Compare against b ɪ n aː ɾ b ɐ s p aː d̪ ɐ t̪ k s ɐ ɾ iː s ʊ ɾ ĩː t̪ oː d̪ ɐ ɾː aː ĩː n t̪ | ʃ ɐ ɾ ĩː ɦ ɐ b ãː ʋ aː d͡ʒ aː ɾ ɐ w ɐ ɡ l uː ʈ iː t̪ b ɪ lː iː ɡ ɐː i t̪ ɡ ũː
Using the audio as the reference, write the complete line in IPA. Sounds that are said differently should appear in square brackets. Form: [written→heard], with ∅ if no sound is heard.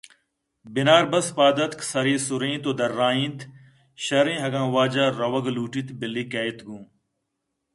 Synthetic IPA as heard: b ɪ n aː ɾ b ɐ s p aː d̪ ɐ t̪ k s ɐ ɾ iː s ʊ ɾ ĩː t̪ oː d̪ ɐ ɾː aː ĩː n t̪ | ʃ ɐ ɾ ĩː ɦ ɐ [b→ɡ] ãː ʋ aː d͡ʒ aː ɾ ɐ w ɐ ɡ l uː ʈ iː t̪ b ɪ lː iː [ɡ→k] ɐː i t̪ ɡ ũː